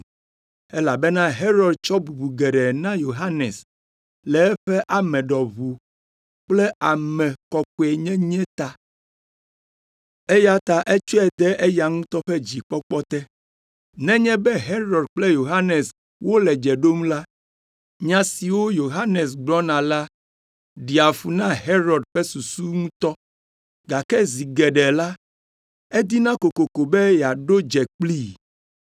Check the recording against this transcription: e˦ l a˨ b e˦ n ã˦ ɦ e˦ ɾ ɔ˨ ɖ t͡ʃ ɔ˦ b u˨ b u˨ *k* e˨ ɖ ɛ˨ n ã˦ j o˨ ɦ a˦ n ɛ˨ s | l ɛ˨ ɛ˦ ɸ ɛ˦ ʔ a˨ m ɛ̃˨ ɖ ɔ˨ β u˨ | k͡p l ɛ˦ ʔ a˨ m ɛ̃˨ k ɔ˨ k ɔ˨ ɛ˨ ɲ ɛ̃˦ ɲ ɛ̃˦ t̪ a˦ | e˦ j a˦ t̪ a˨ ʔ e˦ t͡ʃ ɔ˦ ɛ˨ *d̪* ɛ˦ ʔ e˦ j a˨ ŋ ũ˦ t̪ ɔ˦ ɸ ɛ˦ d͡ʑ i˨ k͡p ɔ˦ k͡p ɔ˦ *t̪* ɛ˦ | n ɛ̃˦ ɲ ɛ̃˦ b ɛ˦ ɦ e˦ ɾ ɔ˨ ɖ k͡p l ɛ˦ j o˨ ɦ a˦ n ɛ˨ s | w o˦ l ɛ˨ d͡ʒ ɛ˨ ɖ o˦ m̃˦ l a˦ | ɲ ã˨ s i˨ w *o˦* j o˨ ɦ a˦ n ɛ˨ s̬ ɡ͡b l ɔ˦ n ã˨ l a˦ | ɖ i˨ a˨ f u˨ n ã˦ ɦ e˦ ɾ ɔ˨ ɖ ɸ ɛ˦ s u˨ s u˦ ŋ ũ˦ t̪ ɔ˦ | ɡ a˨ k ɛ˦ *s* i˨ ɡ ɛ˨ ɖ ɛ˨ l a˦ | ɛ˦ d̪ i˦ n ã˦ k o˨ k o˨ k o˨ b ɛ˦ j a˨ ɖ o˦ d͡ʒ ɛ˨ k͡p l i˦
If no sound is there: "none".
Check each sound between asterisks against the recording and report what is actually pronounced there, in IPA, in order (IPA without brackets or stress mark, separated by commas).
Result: ɡ, d̪, t̪, o˦, z